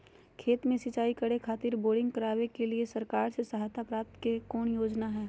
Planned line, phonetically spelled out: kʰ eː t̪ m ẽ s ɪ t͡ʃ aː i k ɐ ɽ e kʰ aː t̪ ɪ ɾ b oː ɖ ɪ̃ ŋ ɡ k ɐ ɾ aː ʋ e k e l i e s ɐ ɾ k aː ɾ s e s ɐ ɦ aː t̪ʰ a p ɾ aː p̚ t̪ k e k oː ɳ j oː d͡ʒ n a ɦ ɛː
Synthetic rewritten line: kʰ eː t̪ m ẽ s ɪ t͡ʃ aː i k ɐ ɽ e kʰ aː t̪ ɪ ɾ b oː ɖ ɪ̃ ŋ ɡ k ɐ ɾ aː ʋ e k e l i e s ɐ ɾ k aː ɾ s e s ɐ ɦ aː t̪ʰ a p ɾ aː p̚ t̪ k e k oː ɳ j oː d͡ʒ n a ɦ ɛː

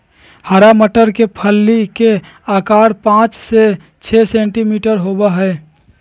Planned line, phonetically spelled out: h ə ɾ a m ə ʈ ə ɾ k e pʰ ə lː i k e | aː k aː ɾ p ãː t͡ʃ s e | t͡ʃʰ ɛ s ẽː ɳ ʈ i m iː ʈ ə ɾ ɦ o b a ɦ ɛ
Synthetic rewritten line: h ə ɾ a m ə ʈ ə ɾ k e pʰ ə lː i k e | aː k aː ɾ p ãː t͡ʃ s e | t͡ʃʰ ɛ s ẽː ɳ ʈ i m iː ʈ ə ɾ ɦ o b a ɦ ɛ

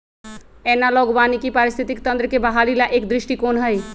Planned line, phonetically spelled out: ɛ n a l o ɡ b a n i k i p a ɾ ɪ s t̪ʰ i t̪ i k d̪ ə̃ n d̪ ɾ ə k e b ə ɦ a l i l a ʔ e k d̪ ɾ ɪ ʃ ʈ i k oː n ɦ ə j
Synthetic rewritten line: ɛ n a l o ɡ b a n i k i p a ɾ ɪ s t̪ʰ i t̪ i k t̪ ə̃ n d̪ ɾ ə k e b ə ɦ a l i l a ʔ e k d̪ ɾ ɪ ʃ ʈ i k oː n ɦ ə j

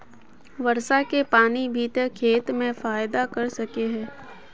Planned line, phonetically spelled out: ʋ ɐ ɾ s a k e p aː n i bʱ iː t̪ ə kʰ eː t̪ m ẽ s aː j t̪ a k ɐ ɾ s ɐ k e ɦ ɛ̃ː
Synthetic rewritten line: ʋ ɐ ɾ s a k e p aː n i bʱ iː t̪ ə kʰ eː t̪ m ẽ f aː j d̪ a k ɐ ɾ s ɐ k e ɦ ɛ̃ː

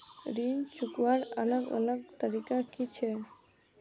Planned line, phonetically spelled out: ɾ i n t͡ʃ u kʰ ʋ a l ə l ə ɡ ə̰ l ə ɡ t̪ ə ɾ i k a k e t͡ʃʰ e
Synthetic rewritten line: ɾ i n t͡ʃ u k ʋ a ɾ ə l ə ɡ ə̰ l ə ɡ t̪ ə ɾ i k a k i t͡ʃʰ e

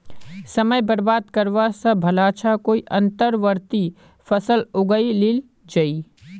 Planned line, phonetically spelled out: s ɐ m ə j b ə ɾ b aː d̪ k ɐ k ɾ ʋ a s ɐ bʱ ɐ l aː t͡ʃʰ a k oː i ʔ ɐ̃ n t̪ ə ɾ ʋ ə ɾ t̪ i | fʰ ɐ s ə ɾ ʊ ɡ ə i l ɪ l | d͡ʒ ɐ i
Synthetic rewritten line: s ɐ m ə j b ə ɾ b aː d̪ k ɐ ɾ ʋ a s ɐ bʱ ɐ l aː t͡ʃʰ a k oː i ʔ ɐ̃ n t̪ ə ɾ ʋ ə ɾ t̪ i | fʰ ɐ s ə l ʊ ɡ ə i l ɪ l | d͡ʒ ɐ i

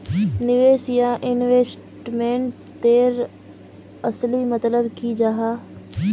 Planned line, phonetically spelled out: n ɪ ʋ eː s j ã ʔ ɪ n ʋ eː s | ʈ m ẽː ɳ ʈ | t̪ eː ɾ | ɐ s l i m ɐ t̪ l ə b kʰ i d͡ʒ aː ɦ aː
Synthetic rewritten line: n ɪ ʋ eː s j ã ʔ ɪ n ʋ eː s | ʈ m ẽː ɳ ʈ | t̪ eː ɾ | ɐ s l i m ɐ t̪ l ə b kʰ i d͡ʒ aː ɦ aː

